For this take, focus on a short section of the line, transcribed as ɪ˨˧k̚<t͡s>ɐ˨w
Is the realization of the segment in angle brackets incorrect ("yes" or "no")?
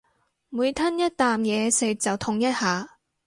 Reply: no